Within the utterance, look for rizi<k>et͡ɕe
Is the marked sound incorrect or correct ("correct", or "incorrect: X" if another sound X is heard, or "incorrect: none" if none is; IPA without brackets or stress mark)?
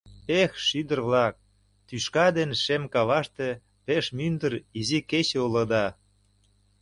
correct